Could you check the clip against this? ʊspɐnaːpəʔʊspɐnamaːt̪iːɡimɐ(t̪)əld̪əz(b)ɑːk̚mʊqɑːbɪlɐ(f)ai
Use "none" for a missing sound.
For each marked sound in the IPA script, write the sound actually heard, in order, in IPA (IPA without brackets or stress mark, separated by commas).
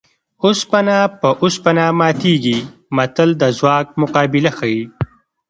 t̪, w, x